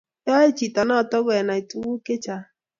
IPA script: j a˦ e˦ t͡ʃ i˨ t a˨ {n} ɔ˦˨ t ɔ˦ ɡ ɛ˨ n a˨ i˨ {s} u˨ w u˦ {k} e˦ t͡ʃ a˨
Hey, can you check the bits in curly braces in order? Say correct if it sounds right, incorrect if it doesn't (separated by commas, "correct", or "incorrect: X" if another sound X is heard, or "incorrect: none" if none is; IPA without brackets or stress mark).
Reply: correct, incorrect: t, correct